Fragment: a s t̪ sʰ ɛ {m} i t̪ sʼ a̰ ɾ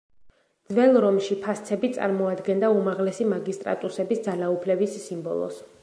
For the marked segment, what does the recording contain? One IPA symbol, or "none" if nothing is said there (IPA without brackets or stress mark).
b